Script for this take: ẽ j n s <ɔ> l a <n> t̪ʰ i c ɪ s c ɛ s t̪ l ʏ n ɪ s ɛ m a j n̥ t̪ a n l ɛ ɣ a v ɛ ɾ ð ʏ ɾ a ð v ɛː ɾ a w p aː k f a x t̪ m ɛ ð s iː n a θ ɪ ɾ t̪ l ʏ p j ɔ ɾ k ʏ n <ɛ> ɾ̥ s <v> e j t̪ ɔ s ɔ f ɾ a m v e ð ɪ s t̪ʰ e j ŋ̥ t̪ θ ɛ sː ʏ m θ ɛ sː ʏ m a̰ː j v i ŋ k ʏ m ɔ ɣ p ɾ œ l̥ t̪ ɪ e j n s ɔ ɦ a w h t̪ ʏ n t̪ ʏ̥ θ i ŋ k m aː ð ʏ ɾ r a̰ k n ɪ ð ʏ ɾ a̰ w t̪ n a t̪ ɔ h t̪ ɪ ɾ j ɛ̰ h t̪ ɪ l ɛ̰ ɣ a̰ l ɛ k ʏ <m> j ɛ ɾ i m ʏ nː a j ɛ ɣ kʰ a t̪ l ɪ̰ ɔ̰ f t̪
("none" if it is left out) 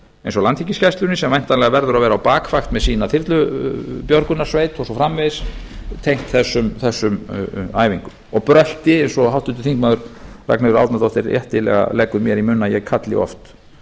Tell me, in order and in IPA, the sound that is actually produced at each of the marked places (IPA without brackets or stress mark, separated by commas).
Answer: ɔ, n, a, v, m